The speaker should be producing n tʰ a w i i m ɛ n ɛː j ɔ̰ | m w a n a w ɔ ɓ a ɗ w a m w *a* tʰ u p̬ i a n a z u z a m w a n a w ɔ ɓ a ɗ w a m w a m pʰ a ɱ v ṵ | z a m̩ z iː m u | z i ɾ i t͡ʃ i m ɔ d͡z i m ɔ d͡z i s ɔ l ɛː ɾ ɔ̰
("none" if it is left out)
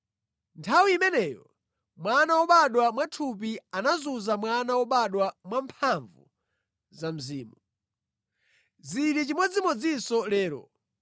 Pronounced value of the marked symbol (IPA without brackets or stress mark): a